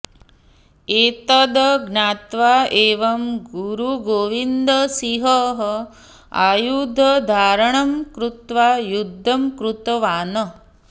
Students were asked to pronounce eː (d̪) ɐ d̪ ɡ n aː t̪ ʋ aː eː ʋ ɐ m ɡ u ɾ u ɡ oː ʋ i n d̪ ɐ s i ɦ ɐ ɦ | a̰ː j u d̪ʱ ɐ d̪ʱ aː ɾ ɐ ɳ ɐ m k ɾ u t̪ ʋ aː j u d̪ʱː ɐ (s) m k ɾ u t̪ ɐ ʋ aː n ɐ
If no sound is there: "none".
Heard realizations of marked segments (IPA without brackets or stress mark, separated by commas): t̪, none